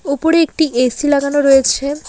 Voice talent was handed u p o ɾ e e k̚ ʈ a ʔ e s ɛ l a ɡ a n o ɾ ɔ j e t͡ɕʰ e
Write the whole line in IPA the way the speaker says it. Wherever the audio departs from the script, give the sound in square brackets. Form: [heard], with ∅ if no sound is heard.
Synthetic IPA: u p o ɾ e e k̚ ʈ [i] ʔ e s [i] l a ɡ a n o ɾ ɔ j e t͡ɕʰ e